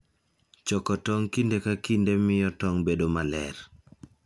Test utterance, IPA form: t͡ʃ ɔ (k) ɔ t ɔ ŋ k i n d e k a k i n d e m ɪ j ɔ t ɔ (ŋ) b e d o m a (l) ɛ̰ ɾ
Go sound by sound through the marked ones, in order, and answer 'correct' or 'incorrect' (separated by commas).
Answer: correct, correct, correct